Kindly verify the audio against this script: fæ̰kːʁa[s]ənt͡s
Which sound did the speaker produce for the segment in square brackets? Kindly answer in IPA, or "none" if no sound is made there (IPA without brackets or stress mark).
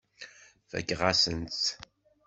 s